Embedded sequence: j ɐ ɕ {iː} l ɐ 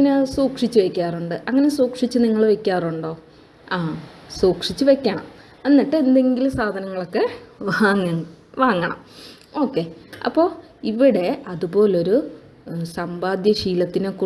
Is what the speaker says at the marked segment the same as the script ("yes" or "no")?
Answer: yes